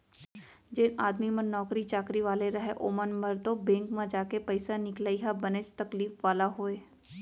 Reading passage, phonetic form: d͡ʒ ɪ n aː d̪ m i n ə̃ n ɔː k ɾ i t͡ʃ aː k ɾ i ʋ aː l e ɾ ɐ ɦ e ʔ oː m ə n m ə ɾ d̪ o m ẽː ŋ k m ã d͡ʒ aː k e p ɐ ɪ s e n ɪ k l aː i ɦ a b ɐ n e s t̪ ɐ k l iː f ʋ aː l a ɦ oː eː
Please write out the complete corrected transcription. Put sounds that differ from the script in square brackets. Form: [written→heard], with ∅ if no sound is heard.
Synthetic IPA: d͡ʒ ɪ n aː d̪ m i [n→m] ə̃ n ɔː k ɾ i t͡ʃ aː k ɾ i ʋ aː l e ɾ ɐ ɦ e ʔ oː m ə n m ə ɾ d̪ o [m→b] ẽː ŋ k m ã d͡ʒ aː k e p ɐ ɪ s [e→a] n ɪ k l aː i ɦ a b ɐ n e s t̪ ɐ k l iː f ʋ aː l a ɦ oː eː